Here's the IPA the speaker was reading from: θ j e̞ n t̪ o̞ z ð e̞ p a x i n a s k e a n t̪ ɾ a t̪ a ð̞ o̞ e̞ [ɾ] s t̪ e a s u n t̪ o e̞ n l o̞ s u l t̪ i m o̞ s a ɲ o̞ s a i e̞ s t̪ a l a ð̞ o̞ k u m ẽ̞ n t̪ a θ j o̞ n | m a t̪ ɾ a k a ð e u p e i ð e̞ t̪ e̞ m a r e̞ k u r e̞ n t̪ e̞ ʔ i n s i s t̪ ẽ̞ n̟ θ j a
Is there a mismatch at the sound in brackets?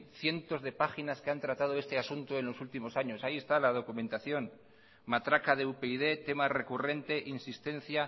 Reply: yes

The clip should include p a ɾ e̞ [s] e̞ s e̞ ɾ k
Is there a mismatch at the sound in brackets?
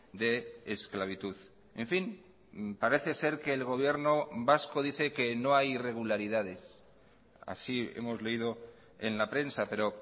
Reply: yes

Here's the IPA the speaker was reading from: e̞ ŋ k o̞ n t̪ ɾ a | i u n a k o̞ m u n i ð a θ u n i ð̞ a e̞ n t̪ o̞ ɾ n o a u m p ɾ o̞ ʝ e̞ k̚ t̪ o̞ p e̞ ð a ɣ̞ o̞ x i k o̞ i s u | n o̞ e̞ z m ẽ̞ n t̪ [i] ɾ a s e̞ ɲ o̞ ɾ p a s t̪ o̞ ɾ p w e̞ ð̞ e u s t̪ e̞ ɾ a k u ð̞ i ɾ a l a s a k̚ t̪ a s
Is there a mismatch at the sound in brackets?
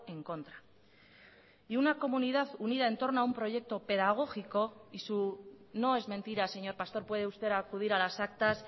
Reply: no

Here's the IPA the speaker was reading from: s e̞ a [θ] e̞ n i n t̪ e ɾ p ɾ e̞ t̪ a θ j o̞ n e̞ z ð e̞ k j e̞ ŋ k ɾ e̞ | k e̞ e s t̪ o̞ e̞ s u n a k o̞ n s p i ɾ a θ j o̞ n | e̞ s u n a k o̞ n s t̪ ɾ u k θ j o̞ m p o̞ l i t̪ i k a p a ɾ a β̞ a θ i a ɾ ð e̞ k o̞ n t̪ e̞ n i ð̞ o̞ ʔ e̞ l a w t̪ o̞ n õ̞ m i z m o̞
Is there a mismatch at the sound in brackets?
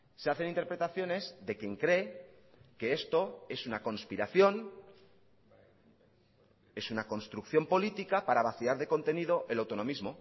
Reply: no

